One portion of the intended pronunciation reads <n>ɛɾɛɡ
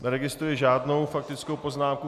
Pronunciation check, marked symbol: correct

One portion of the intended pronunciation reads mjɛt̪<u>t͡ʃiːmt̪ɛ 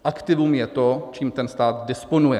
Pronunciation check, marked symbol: incorrect: o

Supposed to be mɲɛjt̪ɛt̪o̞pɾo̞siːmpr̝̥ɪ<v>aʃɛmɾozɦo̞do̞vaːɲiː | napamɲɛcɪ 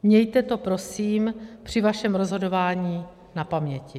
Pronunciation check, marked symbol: correct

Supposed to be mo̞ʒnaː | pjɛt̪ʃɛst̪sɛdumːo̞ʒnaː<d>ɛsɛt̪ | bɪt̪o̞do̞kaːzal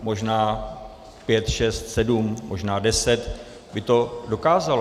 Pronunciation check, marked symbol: correct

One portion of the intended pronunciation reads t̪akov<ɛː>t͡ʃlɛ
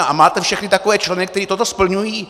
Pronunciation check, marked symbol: correct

